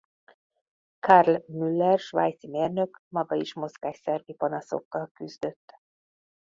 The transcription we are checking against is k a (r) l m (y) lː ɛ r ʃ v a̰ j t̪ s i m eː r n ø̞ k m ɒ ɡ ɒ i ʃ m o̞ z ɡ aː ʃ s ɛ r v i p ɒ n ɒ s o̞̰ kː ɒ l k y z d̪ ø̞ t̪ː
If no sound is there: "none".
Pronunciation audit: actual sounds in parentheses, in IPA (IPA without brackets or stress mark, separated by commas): r, y